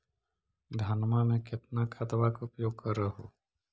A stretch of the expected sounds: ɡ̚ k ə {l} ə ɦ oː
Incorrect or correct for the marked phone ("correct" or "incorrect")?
incorrect